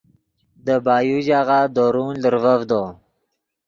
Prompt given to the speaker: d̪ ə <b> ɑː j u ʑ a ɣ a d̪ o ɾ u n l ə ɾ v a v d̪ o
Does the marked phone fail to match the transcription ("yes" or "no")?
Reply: no